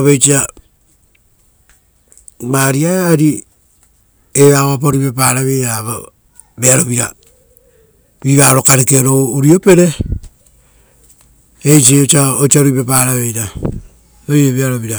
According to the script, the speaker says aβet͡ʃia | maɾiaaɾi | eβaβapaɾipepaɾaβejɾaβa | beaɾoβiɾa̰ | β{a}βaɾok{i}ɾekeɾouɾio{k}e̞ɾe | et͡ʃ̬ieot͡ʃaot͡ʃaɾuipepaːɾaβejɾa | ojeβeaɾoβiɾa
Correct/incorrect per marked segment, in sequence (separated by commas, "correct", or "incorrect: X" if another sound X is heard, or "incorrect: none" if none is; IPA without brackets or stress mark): incorrect: i, incorrect: a, incorrect: p